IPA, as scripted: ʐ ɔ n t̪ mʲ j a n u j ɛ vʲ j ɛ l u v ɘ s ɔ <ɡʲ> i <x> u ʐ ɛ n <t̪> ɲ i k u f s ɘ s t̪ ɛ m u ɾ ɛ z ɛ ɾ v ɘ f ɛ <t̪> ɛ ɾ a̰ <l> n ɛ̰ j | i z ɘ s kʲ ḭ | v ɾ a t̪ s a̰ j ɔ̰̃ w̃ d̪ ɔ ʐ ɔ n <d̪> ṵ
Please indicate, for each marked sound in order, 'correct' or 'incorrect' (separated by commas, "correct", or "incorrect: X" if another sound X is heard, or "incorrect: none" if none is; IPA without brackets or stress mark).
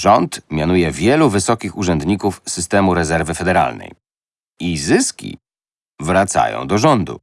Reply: incorrect: kʲ, correct, incorrect: d̪, incorrect: d̪, correct, correct